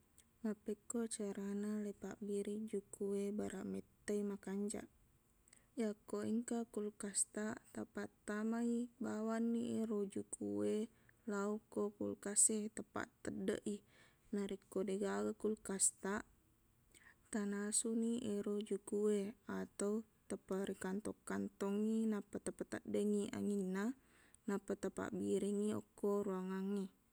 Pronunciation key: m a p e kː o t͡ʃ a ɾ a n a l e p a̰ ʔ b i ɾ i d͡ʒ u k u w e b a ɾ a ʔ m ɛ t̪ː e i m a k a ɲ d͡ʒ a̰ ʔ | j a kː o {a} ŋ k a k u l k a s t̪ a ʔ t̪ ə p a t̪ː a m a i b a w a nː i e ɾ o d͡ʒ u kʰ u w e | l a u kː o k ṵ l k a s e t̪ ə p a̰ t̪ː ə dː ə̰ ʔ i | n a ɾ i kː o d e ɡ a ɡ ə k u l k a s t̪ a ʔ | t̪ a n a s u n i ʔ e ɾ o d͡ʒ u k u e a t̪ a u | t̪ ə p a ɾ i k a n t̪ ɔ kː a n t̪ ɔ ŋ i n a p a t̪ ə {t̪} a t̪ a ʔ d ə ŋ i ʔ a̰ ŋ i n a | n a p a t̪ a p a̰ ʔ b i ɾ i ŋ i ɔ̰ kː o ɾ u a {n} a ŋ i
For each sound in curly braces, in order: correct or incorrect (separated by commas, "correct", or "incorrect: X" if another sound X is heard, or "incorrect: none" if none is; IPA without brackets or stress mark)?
incorrect: i, incorrect: p̪, incorrect: ŋ